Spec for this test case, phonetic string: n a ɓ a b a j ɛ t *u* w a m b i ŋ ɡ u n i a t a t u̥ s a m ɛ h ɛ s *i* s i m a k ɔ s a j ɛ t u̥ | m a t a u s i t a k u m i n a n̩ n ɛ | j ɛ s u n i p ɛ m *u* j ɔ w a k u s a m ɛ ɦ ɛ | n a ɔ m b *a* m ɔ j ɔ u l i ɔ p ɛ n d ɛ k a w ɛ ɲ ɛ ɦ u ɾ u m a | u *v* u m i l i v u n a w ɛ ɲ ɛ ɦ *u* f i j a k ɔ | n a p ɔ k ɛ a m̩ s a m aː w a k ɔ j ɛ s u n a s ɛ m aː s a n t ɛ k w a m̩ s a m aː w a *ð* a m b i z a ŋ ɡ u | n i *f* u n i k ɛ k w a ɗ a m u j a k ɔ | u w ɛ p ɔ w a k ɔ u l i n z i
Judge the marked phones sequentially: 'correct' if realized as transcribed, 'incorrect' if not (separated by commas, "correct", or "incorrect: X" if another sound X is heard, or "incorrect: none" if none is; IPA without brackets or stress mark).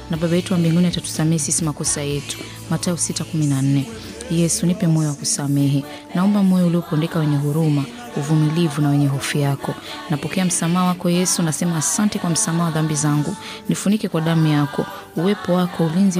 correct, correct, incorrect: ɔ, correct, correct, incorrect: ɔ, correct, correct